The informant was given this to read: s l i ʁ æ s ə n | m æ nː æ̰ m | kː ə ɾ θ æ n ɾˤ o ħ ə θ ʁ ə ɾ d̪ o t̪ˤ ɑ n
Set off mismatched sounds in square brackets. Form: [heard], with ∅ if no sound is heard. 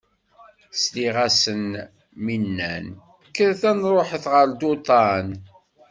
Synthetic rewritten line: s l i ʁ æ s ə n | m [i] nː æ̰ [n] | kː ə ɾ θ æ n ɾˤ o ħ ə θ ʁ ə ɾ d̪ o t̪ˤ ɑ n